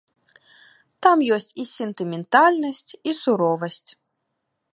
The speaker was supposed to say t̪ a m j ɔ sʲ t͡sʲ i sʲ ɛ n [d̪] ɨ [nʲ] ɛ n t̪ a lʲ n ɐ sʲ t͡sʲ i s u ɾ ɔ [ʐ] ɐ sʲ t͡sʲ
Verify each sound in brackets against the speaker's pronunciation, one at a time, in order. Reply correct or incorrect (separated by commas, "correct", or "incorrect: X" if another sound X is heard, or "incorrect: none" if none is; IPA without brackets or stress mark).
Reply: incorrect: t̪, incorrect: mʲ, incorrect: v